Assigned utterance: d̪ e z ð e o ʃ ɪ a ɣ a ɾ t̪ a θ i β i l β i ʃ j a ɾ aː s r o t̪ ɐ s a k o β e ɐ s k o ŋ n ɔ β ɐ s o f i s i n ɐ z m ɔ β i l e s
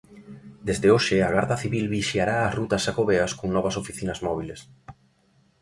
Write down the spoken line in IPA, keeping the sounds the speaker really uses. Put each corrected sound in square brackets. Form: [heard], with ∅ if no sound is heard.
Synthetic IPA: d̪ e z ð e o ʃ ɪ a ɣ a ɾ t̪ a θ i β i l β i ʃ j a ɾ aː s r [u] t̪ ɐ s a k o β e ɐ s k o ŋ n ɔ β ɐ s o f i [θ] i n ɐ z m ɔ β i l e s